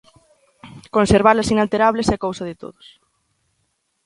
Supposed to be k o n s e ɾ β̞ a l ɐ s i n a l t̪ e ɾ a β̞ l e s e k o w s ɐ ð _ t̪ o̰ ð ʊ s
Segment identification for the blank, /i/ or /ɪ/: ɪ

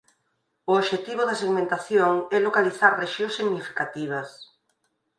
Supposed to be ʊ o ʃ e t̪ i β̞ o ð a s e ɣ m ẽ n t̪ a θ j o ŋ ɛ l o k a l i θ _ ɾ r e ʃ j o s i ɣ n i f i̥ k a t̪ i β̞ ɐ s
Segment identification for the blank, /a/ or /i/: a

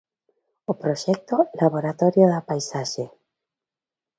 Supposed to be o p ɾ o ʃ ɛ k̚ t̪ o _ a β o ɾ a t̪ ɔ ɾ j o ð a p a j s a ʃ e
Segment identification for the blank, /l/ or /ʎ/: l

